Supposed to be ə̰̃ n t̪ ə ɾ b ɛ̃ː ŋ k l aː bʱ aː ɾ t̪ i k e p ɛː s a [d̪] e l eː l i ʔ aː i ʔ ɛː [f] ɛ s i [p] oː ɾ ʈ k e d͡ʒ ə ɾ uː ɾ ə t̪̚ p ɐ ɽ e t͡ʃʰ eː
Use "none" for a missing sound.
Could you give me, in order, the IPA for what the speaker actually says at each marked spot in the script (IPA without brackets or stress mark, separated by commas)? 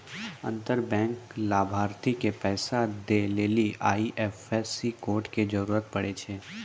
d̪, f, k